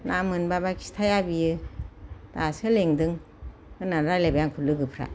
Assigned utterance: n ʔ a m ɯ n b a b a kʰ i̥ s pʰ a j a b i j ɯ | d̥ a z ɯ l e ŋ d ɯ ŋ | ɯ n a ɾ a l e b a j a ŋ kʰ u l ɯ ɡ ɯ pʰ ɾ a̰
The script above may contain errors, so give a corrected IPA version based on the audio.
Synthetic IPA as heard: n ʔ a m ɯ n b a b a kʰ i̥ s tʰ a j a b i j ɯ | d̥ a s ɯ l e ŋ d ɯ ŋ | ɯ n a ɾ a l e b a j a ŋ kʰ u l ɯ ɡ ɯ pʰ ɾ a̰